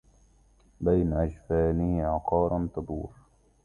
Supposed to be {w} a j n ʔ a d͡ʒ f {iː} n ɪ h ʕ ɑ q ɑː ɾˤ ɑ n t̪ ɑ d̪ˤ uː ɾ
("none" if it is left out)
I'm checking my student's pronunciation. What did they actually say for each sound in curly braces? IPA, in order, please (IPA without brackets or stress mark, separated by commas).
b, aː